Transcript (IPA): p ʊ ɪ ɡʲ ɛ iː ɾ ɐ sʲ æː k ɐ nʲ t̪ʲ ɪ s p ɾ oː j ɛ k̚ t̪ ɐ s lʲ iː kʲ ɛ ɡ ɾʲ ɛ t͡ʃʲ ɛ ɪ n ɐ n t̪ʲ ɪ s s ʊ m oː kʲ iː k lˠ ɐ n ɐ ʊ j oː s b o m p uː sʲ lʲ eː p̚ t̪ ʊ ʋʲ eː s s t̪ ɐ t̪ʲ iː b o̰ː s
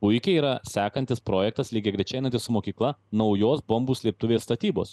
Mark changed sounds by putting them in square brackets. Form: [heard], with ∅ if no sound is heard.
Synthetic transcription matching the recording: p ʊ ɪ [kʲ] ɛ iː ɾ ɐ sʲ æː k ɐ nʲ t̪ʲ ɪ s p ɾ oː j ɛ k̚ t̪ ɐ s lʲ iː [ɡʲ] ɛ ɡ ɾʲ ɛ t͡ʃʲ ɛ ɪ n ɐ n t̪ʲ ɪ s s ʊ m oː kʲ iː k lˠ ɐ n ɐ ʊ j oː s b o m [b] uː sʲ lʲ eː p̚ t̪ ʊ ʋʲ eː s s t̪ ɐ t̪ʲ iː b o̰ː s